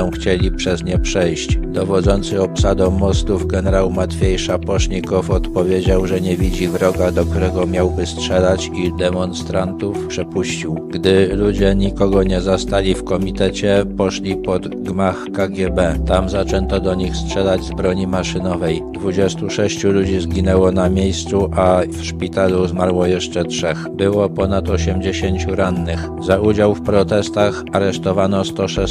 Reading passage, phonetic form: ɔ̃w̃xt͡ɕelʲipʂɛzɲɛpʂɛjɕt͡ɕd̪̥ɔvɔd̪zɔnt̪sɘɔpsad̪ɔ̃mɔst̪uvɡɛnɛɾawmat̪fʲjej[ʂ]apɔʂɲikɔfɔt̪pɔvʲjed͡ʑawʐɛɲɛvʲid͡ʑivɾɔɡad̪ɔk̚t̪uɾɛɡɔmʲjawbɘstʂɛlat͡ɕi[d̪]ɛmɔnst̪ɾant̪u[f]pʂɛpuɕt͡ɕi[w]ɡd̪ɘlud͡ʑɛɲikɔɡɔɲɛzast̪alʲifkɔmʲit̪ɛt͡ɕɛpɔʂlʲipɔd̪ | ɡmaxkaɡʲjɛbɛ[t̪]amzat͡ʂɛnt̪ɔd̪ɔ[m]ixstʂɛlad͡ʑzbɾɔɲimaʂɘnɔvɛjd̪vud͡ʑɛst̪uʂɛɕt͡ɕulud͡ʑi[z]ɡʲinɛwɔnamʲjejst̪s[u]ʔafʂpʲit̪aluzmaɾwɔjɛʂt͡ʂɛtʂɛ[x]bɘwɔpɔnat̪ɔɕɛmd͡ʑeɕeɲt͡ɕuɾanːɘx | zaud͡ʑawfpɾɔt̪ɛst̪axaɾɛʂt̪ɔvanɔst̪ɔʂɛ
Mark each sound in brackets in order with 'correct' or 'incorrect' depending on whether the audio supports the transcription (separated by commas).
correct, correct, correct, correct, correct, incorrect, correct, correct, correct